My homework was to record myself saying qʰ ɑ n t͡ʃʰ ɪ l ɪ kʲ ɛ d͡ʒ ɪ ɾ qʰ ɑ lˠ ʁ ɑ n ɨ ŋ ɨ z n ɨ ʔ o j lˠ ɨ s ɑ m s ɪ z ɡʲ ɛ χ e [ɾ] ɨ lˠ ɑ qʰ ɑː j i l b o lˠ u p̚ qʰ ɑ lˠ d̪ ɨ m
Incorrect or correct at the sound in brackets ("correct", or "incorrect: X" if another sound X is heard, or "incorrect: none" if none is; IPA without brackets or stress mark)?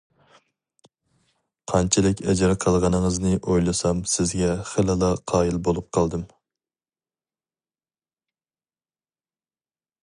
incorrect: l